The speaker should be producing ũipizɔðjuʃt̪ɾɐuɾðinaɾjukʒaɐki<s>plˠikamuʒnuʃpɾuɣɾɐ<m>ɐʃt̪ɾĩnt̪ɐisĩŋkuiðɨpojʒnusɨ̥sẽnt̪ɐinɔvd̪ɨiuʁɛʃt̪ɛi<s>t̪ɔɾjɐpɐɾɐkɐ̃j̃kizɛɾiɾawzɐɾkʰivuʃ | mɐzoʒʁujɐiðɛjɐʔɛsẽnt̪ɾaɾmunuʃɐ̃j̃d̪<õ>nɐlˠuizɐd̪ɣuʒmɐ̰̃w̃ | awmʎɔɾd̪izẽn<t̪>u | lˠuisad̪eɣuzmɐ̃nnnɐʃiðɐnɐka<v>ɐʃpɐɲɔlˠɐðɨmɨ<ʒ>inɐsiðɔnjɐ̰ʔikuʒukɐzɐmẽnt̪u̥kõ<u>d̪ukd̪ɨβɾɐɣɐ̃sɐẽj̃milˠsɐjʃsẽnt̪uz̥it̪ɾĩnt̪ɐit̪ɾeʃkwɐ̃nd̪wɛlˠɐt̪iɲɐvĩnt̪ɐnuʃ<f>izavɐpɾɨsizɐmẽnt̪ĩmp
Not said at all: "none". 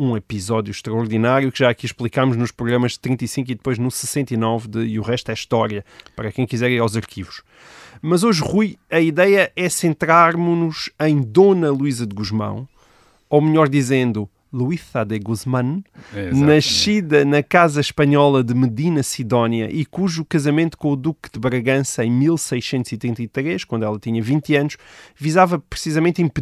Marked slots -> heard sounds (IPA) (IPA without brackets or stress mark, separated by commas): ʃ, m, ʃ, o, d̪, z, ð, u, v